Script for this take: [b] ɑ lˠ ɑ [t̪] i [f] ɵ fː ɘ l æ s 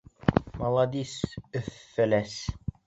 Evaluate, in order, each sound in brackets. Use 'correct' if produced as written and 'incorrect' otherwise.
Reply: incorrect: m, incorrect: d̪, incorrect: s

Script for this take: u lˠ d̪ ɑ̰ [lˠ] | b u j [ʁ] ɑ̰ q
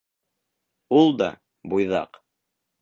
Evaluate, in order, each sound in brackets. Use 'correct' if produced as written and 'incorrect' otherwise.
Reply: incorrect: none, incorrect: ð

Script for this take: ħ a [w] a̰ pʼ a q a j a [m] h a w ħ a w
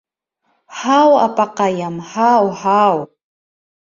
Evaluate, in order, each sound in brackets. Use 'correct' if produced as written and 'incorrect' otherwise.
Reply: correct, correct

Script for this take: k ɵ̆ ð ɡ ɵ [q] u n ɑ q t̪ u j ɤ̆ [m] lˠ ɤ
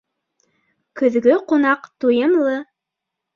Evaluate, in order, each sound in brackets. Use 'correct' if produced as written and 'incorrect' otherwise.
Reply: correct, correct

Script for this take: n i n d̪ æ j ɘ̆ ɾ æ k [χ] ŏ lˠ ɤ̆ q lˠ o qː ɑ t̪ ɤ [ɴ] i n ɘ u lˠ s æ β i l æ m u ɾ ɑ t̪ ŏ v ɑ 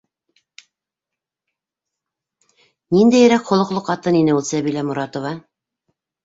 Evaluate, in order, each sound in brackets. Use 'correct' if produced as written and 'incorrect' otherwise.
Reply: correct, incorrect: n

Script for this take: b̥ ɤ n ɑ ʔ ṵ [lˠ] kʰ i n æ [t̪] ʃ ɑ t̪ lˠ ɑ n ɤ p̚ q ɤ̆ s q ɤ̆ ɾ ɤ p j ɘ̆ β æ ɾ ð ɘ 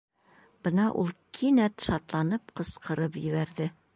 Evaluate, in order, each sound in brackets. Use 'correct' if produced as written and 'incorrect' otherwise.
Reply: correct, correct

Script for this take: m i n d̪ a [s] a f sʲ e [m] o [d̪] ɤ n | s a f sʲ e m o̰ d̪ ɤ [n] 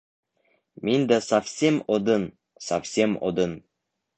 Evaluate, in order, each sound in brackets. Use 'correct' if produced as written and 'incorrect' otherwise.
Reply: correct, correct, correct, correct

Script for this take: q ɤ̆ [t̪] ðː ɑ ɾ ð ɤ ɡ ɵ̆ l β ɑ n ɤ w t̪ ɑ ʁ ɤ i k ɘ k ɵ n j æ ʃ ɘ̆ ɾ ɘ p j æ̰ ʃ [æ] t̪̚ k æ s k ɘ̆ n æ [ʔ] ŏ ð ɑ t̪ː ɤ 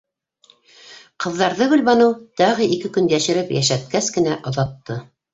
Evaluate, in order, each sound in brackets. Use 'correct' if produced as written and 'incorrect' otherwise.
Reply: incorrect: none, correct, correct

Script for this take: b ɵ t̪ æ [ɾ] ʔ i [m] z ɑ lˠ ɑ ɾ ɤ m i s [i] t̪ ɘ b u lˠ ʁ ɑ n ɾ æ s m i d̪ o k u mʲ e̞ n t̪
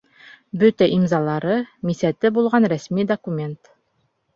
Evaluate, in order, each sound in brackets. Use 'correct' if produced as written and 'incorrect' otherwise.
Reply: incorrect: none, correct, incorrect: æ

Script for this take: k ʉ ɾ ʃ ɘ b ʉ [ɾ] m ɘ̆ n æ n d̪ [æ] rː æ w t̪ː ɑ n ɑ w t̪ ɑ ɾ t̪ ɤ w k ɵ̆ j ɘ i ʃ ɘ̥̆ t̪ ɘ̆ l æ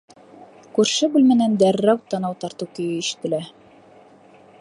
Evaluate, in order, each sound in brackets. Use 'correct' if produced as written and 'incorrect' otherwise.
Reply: incorrect: l, correct

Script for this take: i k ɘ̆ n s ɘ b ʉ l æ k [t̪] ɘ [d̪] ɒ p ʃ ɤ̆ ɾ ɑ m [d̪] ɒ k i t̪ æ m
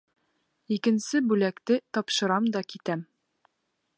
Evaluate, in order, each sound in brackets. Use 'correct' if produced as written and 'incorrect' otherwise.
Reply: correct, incorrect: t̪, correct

